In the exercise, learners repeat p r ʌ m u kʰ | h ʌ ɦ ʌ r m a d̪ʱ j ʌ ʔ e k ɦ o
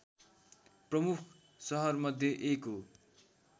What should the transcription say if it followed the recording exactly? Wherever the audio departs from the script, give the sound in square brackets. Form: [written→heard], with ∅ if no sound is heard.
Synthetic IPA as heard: p r ʌ m u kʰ | [h→s] ʌ ɦ ʌ r m [a→ʌ] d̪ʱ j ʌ ʔ e k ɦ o